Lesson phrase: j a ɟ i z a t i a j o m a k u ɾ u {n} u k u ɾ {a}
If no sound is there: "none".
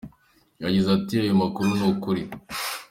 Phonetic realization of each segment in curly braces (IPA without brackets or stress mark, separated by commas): n, i